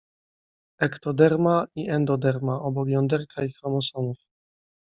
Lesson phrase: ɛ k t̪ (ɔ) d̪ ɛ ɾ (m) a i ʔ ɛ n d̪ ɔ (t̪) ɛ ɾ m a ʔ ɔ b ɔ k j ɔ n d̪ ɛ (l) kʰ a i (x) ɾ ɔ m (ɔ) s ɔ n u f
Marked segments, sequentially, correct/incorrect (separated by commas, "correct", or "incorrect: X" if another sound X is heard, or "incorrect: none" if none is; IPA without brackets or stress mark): correct, correct, incorrect: d̪, incorrect: ɾ, correct, correct